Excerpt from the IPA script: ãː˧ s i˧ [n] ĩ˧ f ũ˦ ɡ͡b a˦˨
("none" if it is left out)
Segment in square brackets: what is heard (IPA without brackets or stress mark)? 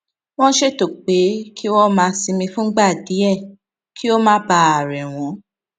m